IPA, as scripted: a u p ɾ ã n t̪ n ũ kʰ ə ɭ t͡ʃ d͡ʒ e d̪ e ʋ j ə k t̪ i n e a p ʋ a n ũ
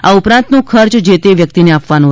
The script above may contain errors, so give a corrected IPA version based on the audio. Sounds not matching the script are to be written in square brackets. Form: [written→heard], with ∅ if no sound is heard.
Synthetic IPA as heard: a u p ɾ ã n t̪ n ũ kʰ ə [ɭ→ɾ] t͡ʃ d͡ʒ e [d̪→t̪] e ʋ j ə k t̪ i n e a p ʋ a n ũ